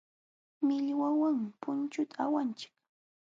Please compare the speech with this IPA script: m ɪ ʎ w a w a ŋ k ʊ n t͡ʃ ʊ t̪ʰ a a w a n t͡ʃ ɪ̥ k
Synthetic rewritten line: m ɪ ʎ w a w a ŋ p ʊ n t͡ʃ ʊ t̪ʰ a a w a n t͡ʃ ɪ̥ k